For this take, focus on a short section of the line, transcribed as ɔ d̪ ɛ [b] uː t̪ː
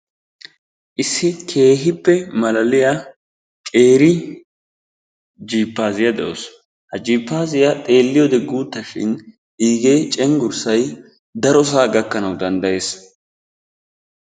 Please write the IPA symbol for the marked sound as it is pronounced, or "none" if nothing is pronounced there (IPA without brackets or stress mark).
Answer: ɡ